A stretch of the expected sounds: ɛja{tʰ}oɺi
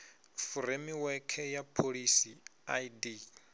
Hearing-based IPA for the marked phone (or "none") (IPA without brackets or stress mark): pʰ